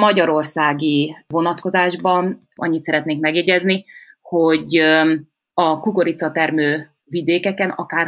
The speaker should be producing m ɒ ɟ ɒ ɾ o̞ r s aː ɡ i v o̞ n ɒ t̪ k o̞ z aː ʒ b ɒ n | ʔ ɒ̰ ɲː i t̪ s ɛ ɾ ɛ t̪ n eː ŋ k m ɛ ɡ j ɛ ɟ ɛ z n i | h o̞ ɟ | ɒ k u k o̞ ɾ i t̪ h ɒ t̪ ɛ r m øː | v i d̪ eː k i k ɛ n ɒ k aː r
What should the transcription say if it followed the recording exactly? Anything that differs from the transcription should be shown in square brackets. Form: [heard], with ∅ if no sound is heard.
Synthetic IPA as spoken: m ɒ ɟ ɒ ɾ o̞ r s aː ɡ i v o̞ n ɒ t̪ k o̞ z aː ʒ b ɒ n | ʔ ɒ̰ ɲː i t̪ s ɛ ɾ ɛ t̪ n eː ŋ k m ɛ ɡ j ɛ ɟ ɛ z n i | h o̞ ɟ | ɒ k u k o̞ ɾ i t̪ [s] ɒ t̪ ɛ r m øː | v i d̪ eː k [ɛ] k ɛ n ɒ k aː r